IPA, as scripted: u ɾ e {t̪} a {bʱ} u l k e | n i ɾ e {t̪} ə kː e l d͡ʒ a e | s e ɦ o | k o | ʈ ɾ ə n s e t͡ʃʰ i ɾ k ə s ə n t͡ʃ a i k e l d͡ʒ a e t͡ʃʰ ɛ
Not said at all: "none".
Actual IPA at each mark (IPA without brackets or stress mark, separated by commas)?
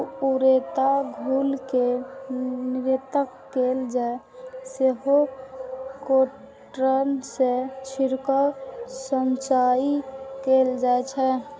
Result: t̪, ɡʱ, t̪